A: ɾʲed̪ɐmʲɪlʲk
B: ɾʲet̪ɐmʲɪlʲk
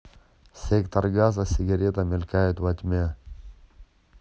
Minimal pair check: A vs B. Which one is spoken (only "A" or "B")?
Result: B